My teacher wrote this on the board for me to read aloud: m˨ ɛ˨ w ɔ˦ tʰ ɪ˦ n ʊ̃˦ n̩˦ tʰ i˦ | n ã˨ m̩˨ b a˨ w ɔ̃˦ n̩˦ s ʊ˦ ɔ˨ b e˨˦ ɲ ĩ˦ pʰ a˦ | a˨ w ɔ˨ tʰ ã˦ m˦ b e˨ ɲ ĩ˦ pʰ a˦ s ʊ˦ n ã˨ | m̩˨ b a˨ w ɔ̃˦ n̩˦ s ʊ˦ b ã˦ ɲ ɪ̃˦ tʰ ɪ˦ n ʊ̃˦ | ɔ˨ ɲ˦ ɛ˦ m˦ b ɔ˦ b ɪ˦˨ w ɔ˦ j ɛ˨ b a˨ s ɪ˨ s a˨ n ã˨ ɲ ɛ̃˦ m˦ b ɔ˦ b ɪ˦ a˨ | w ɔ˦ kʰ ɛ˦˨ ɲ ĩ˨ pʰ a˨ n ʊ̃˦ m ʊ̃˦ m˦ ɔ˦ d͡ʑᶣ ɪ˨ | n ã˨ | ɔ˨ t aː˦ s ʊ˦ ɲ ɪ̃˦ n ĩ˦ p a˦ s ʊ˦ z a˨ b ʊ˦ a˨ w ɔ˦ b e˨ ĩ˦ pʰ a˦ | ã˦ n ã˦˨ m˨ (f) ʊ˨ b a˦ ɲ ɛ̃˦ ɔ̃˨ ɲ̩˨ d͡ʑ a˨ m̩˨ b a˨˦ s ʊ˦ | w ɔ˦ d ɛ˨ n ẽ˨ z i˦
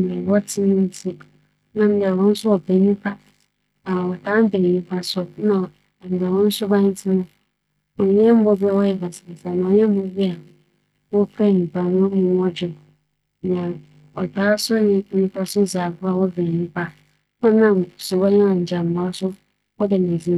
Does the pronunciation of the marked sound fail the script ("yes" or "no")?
yes